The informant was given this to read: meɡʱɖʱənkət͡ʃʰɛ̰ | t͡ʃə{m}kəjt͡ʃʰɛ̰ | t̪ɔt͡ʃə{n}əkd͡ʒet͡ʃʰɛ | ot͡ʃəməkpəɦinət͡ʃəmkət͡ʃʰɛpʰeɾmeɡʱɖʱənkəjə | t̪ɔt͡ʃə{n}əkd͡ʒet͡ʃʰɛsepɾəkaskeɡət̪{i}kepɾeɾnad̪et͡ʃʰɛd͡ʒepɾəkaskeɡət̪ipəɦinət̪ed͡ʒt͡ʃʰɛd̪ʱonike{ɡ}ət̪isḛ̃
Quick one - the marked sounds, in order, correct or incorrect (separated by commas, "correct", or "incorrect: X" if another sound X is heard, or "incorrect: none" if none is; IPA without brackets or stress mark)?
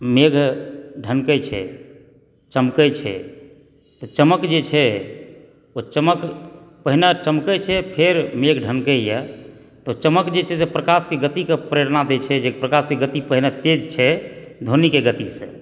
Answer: correct, incorrect: m, incorrect: m, correct, correct